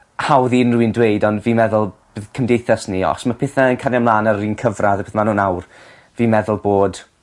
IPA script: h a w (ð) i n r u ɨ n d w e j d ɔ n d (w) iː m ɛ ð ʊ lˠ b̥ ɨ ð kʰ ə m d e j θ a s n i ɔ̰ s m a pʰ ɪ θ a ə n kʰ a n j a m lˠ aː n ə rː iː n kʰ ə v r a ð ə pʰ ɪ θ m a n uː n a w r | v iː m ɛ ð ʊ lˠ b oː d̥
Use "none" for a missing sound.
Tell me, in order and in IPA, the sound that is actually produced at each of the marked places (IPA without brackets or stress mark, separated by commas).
ð, v